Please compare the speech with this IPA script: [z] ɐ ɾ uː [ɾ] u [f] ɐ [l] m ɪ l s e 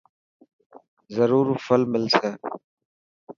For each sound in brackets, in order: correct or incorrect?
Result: correct, correct, correct, correct

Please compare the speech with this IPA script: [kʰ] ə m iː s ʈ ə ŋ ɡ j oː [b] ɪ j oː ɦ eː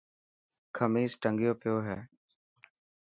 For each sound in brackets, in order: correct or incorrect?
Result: correct, incorrect: p

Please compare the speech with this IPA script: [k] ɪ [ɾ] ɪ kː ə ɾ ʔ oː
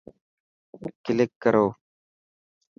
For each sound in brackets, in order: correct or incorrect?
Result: correct, incorrect: l

